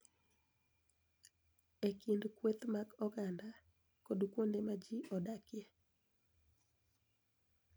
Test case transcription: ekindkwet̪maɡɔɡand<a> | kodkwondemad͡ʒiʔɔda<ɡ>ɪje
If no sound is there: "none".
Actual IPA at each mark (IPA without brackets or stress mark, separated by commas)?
a, k